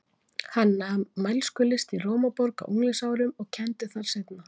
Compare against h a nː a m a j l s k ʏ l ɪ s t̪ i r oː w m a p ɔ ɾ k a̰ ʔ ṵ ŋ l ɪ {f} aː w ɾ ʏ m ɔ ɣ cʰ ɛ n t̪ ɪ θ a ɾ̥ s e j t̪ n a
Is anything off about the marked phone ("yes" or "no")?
yes